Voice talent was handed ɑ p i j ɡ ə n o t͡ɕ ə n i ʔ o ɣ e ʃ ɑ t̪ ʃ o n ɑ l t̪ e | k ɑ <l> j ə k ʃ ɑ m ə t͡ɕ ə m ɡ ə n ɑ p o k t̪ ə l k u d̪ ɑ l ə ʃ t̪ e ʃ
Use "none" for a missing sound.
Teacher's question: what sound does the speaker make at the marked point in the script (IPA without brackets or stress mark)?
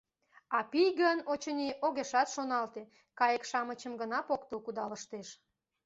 none